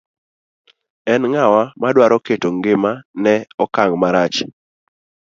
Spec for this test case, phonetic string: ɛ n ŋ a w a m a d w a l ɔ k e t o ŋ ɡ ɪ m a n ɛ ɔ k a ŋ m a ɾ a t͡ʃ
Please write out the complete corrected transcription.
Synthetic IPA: ɛ n ŋ a w a m a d w a ɾ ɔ k e t o ŋ ɡ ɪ m a n ɛ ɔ k a ŋ m a ɾ a t͡ʃ